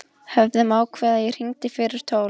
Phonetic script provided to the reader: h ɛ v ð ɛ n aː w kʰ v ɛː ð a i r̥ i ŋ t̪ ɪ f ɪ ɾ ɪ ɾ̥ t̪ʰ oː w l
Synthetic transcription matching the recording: h ɛ v ð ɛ m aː w kʰ v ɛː ð a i r̥ i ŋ t̪ ɪ f ɪ ɾ ɪ ɾ̥ t̪ʰ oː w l